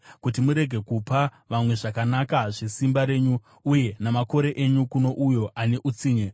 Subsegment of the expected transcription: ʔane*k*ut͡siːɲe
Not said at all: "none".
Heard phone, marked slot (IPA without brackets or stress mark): ʔ